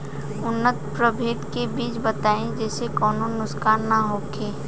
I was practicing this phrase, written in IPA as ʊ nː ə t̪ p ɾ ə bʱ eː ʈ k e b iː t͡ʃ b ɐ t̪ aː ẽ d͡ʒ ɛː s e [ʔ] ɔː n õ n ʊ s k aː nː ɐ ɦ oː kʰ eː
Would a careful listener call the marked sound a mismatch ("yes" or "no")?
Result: yes